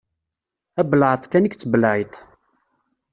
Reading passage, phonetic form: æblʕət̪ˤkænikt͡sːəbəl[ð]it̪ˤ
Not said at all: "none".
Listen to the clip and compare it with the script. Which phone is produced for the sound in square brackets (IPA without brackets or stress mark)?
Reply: ʕ